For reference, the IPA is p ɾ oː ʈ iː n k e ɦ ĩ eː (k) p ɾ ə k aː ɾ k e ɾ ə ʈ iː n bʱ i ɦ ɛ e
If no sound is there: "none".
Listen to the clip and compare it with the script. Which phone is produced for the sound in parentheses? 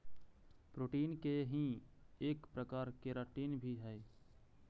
k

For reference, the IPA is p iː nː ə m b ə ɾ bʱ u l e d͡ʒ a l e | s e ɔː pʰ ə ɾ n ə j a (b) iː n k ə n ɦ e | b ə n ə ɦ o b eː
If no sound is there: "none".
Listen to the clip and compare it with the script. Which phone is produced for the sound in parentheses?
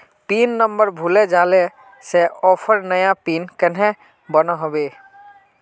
p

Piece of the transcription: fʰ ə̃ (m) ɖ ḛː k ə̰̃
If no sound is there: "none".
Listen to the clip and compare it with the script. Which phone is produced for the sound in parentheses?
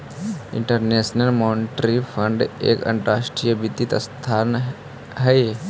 ɳ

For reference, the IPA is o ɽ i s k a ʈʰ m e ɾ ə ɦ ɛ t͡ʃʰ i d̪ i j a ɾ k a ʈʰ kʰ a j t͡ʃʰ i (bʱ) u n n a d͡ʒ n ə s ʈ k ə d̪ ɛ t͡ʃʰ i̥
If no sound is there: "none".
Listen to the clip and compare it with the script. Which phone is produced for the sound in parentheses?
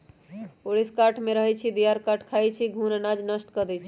ɡʱ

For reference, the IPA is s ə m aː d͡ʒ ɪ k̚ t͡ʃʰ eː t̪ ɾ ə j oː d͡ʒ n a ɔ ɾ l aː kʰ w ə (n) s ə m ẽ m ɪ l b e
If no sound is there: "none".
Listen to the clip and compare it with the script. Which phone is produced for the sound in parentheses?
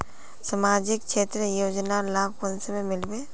n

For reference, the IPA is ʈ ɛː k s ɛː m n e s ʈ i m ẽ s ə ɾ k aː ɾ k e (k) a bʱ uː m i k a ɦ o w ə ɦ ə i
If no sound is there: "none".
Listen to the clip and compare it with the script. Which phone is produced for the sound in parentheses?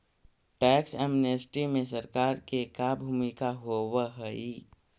k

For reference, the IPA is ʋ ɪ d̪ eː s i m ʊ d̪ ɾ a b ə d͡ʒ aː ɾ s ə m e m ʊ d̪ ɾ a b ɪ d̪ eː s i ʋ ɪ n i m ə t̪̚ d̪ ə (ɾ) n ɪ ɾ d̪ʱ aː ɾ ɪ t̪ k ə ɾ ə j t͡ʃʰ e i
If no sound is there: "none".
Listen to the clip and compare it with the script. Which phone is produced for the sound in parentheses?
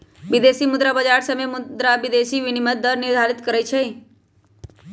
ɾ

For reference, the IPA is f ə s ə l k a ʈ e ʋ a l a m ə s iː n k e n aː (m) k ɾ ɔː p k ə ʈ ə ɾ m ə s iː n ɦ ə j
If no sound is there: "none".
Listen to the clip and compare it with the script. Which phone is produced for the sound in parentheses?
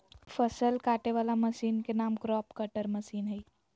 m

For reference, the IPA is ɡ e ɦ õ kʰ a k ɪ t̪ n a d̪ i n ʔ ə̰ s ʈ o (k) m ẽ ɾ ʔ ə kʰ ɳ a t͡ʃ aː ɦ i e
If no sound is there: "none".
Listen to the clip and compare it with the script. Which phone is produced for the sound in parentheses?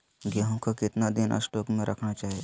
k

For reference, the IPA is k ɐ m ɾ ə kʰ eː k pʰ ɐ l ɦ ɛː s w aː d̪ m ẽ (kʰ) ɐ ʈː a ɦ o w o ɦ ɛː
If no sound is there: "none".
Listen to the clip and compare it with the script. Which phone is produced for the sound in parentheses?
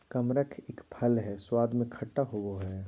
kʰ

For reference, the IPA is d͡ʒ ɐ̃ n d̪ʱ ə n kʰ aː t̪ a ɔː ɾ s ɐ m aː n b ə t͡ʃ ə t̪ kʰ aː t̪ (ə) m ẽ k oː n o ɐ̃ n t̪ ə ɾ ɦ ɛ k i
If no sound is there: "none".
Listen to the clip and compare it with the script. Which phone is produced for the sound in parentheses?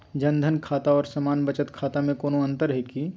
a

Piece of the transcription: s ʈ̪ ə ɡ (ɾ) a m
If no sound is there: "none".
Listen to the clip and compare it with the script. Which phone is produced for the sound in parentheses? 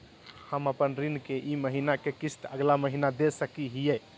l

